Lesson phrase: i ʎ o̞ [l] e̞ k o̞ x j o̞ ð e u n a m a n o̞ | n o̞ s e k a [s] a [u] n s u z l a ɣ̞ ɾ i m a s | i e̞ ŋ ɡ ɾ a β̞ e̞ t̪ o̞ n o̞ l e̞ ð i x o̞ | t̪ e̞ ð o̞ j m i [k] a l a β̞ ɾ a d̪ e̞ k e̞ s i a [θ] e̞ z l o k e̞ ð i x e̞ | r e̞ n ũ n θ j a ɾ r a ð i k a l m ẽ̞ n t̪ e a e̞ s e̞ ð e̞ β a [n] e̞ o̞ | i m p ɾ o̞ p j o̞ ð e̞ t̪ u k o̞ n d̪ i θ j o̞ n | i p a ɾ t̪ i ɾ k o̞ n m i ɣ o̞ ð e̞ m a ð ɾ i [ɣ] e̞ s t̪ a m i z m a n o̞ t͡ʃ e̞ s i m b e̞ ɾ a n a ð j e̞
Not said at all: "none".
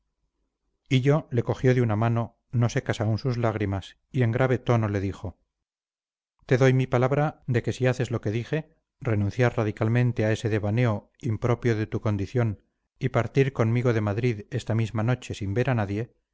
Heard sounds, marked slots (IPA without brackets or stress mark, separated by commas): l, s, u, p, θ, n, ð